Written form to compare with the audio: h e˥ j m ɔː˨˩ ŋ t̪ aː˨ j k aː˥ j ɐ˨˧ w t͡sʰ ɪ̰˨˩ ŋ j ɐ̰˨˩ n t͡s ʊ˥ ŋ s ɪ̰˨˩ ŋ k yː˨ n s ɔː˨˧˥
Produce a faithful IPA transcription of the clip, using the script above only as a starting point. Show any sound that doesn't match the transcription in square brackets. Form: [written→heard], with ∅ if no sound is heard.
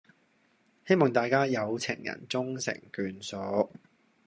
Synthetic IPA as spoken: h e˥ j m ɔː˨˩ ŋ t̪ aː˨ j k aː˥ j ɐ˨˧ w t͡sʰ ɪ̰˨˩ ŋ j ɐ̰˨˩ n t͡s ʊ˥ ŋ s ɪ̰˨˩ ŋ k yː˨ n s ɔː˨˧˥